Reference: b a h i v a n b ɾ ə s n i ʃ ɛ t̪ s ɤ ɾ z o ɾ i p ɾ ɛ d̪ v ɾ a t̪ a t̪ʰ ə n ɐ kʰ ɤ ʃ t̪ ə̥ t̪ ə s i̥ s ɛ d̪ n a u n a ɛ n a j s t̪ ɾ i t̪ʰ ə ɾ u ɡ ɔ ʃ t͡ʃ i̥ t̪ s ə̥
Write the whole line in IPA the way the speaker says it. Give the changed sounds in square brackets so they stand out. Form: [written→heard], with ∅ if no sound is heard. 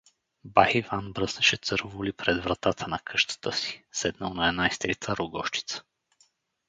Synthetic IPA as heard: b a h i v a n b ɾ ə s n [i→ɛ] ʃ ɛ t̪ s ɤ ɾ [z→v] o [ɾ→l] i p ɾ ɛ d̪ v ɾ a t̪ a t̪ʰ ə n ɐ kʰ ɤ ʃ t̪ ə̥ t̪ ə s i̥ s ɛ d̪ n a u n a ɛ n a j s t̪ ɾ i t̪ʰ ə ɾ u ɡ ɔ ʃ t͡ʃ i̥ t̪ s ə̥